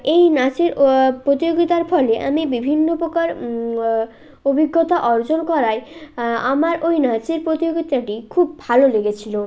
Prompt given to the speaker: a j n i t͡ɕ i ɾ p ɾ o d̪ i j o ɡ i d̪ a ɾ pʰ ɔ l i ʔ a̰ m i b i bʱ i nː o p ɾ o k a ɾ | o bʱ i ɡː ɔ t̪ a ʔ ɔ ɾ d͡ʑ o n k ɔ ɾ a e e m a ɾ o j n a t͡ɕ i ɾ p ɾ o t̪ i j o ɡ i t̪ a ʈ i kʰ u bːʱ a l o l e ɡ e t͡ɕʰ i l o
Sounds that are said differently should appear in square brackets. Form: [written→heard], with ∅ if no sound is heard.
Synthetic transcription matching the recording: [a→e] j n [i→a] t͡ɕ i ɾ p ɾ o [d̪→t̪] i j o ɡ i [d̪→t̪] a ɾ pʰ ɔ l [i→e] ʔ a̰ m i b i bʱ i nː o p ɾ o k a ɾ | o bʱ i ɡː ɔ t̪ a ʔ ɔ ɾ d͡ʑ o n k ɔ ɾ a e [e→a] m a ɾ o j n a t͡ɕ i ɾ p ɾ o t̪ i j o ɡ i t̪ a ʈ i kʰ u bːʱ a l o l e ɡ e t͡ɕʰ i l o